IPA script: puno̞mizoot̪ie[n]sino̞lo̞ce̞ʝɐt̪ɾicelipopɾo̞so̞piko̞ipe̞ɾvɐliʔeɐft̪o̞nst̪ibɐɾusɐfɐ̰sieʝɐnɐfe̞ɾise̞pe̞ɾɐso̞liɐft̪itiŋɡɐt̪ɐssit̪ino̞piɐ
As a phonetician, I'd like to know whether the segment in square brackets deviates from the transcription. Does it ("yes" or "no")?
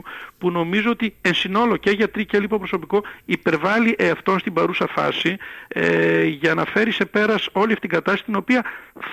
no